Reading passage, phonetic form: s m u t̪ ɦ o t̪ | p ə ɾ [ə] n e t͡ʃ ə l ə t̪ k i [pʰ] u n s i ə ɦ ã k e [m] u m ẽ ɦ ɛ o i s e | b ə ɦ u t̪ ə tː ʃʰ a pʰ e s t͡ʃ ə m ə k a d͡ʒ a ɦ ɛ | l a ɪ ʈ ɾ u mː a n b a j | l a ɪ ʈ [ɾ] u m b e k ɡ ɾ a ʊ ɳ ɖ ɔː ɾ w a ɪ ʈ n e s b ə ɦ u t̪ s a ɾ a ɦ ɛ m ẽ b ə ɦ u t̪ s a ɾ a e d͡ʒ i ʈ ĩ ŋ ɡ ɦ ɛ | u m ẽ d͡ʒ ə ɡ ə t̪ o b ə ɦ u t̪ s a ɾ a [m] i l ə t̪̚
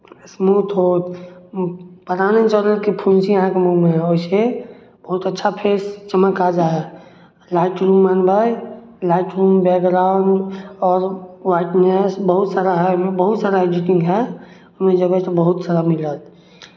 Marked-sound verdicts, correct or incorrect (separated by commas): incorrect, correct, correct, correct, correct